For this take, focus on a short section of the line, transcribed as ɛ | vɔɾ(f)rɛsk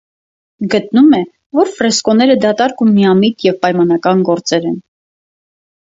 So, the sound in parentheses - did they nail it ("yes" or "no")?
yes